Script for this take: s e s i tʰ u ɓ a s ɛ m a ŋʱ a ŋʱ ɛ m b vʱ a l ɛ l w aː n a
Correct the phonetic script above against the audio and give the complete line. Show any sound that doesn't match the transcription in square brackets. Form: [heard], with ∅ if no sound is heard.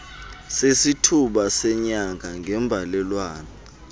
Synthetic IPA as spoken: s e s i tʰ u ɓ a s ɛ [ɲ] a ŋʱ a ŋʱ ɛ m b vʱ a l ɛ l w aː n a

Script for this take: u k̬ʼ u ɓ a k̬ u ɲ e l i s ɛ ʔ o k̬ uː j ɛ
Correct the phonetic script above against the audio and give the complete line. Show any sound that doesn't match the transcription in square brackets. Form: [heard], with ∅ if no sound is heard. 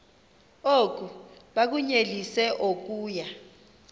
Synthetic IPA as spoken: [o] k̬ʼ u ɓ a k̬ u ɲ e l i s ɛ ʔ o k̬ uː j [a]

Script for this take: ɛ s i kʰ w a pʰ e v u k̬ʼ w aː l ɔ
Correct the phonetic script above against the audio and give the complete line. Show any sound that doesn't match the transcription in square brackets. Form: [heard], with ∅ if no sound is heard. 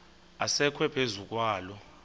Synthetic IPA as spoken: [a] s [ɛ] kʰ w [ɛ] pʰ e [z] u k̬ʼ w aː l ɔ

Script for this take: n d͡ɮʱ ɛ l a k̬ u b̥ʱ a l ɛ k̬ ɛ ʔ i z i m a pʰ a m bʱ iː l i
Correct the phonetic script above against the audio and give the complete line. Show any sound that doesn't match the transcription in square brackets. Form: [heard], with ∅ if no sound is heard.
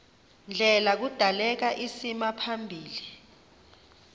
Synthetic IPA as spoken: n d͡ɮʱ ɛ l a k̬ u [d̥ʱ] a l ɛ k̬ [a] ʔ i [s] i m a pʰ a m bʱ iː l i

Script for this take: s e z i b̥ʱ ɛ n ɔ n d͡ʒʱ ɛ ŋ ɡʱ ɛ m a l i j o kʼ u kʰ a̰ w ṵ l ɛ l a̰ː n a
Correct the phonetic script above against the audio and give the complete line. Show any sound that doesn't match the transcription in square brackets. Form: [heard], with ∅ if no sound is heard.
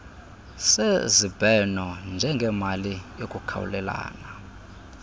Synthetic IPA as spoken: s e z i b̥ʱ ɛ n ɔ n d͡ʒʱ ɛ ŋ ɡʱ ɛ m a l i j o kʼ u kʰ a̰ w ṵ l ɛ l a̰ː n a

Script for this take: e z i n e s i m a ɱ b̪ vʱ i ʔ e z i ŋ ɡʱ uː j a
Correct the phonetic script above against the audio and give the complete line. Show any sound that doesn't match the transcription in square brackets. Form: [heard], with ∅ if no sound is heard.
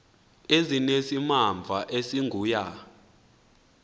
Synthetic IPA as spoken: e z i n e s i m a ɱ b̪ vʱ [a] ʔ e [s] i ŋ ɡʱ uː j a

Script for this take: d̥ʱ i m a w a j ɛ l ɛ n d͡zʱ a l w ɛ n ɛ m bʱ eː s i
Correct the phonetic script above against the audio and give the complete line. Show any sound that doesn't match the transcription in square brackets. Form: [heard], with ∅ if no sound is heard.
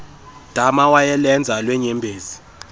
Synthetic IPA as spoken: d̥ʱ [a] m a w a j ɛ l ɛ n d͡zʱ a l w ɛ [ɲ] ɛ m bʱ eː [z] i

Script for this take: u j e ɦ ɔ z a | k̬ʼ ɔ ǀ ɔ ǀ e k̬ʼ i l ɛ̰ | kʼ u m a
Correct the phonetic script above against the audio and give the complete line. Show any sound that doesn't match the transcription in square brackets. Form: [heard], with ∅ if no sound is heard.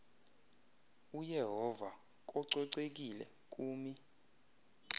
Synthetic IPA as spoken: u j [ɛ] ɦ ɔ [v] a | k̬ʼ ɔ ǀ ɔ ǀ e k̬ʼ i l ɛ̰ | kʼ [uː] m [i]

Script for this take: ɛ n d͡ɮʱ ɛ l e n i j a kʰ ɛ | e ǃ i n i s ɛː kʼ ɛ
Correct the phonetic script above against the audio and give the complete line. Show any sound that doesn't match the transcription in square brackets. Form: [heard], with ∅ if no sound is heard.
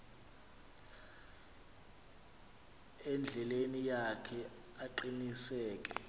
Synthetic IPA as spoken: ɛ n d͡ɮʱ ɛ l e n i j a kʰ ɛ | [a] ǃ i n i s ɛː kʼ ɛ

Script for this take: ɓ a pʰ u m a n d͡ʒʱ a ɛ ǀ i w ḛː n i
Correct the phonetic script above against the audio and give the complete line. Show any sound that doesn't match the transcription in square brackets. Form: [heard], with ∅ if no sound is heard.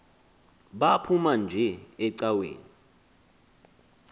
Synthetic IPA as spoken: ɓ a pʰ u m a n d͡ʒʱ [ɛ] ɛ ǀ [a] w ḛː n i

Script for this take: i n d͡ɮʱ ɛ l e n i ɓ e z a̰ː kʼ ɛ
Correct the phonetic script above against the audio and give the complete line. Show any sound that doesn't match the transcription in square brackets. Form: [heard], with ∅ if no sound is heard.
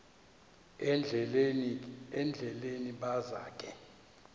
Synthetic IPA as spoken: [ɛ] n d͡ɮʱ ɛ l e n i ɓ [a] z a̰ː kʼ ɛ

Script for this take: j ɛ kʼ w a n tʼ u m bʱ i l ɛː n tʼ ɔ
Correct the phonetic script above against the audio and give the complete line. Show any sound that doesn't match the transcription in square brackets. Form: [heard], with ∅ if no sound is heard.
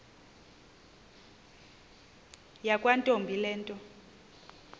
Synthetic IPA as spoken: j [a] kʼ w a n tʼ [o] m bʱ i l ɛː n tʼ ɔ

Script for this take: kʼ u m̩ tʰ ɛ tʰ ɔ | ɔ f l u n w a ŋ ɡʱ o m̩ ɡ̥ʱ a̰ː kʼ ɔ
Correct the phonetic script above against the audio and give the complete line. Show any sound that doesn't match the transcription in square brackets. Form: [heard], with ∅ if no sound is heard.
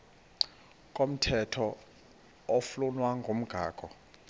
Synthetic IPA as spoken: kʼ [o] m̩ tʰ ɛ tʰ ɔ | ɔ f l u n w a ŋ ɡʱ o m̩ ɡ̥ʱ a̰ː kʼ ɔ

